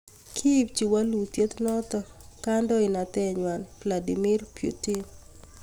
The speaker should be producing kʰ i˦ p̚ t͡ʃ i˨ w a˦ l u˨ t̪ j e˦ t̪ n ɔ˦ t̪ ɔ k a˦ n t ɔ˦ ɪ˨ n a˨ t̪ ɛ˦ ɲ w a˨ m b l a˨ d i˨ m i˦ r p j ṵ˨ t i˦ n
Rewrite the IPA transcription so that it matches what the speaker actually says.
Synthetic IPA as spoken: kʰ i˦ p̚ t͡ʃ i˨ w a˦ l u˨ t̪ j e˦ t̪ n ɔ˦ t̪ ɔ k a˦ n d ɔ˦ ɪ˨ n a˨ t̪ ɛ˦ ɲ w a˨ n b l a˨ d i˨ m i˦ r p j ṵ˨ t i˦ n